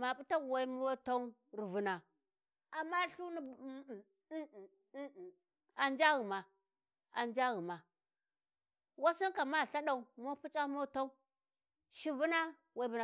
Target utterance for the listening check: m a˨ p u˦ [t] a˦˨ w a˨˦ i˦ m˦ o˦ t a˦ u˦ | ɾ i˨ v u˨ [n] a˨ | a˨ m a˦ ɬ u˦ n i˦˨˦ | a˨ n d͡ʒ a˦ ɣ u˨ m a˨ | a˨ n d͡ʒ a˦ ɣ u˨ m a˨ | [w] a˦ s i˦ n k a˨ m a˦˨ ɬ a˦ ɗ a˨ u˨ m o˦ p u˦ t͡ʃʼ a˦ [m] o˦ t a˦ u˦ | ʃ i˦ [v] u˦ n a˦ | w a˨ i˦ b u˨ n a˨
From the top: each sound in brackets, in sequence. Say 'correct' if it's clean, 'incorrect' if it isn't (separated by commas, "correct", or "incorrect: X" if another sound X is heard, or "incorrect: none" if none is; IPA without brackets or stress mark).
correct, correct, correct, correct, correct